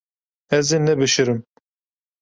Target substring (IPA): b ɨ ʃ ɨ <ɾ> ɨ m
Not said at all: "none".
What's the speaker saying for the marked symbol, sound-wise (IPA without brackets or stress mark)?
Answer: ɾ